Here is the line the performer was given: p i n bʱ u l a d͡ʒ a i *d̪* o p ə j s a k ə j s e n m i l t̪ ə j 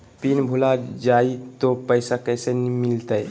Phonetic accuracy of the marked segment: incorrect: t̪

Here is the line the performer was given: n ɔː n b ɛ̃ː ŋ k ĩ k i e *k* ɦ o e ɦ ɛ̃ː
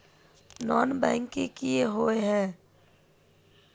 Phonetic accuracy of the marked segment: incorrect: none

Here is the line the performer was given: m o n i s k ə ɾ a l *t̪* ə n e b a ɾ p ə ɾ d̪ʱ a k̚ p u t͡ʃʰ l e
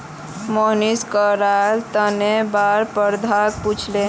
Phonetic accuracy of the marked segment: correct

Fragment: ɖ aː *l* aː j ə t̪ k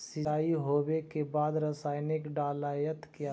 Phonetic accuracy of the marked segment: correct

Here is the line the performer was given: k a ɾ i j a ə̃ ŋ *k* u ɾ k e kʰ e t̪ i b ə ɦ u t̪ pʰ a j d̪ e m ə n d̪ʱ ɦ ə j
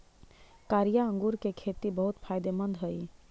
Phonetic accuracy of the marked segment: incorrect: ɡ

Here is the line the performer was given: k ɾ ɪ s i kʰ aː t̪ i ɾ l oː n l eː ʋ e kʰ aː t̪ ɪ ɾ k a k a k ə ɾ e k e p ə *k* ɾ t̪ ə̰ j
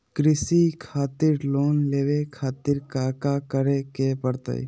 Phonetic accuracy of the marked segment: incorrect: none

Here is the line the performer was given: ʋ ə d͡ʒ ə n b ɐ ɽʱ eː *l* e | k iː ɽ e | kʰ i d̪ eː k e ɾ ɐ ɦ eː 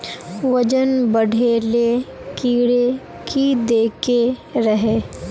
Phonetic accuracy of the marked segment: correct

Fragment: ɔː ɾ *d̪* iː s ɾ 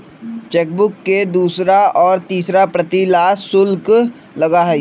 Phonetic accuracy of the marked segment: incorrect: t̪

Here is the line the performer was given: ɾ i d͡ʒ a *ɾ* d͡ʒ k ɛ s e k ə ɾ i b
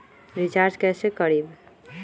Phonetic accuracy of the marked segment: correct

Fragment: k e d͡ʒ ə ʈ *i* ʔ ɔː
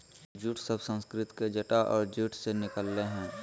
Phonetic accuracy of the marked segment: incorrect: a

